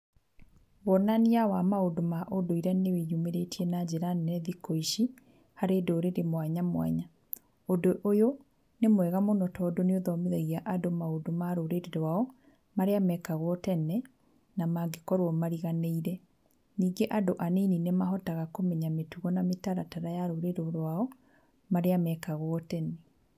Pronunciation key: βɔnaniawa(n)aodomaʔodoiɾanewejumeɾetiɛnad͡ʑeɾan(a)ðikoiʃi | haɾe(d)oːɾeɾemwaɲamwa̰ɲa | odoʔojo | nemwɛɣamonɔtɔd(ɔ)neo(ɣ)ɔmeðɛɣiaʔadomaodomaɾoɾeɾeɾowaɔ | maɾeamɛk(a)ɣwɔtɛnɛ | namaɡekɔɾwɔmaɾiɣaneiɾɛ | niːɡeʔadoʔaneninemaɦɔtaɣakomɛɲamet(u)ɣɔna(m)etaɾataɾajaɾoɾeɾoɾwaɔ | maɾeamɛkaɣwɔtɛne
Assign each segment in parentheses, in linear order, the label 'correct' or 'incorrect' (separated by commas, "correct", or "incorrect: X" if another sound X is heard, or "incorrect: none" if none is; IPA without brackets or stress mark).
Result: incorrect: m, incorrect: ɛ, correct, incorrect: o, incorrect: ð, correct, correct, correct